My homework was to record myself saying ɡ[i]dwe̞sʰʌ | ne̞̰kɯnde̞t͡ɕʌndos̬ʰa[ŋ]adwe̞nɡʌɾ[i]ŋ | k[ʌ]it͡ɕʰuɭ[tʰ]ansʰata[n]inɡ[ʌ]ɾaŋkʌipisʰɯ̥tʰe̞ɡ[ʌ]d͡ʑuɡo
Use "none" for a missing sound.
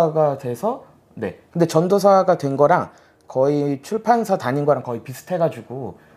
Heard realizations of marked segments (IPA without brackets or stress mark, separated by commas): a, ɡ, a, ʌ, pʰ, ɲ, ʌ, a